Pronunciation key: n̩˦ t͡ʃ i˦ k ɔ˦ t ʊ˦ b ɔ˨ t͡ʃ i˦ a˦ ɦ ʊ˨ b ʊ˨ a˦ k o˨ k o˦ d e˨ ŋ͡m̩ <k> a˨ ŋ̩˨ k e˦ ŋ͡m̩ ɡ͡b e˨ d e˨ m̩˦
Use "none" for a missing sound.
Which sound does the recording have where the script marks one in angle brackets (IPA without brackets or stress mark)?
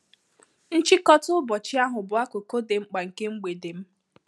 k͡p